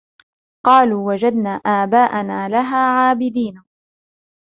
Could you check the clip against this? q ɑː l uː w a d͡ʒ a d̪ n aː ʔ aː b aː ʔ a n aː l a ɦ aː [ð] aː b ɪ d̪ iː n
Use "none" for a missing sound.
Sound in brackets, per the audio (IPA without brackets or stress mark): ʕ